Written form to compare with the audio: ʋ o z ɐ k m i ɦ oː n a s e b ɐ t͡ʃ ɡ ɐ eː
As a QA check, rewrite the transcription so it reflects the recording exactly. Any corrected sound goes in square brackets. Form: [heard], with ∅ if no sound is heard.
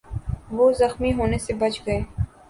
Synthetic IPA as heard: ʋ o z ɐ [x] m i ɦ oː n [e] s e b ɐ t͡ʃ ɡ ɐ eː